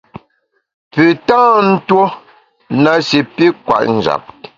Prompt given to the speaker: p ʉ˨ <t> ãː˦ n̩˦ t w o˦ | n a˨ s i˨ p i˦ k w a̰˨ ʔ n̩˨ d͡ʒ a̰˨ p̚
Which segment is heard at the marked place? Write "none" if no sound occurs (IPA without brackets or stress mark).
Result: t